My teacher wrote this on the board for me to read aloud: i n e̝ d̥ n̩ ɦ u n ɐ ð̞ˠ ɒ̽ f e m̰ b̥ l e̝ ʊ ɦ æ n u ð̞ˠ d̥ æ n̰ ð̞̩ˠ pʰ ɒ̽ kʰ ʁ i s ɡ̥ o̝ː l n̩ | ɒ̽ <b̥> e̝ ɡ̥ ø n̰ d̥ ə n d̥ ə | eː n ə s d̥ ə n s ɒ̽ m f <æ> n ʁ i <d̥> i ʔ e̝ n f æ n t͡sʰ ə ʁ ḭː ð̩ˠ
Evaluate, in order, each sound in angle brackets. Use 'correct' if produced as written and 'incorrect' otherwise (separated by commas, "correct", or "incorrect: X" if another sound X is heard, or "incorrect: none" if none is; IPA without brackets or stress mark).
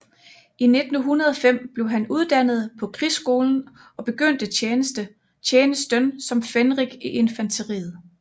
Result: correct, incorrect: e, incorrect: ɡ̥